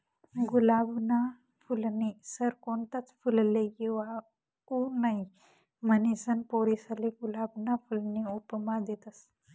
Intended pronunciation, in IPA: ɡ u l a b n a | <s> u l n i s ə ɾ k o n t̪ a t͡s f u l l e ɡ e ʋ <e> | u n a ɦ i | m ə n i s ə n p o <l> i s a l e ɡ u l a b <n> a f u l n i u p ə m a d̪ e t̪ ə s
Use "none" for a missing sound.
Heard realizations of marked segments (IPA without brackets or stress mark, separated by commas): f, a, ɾ, n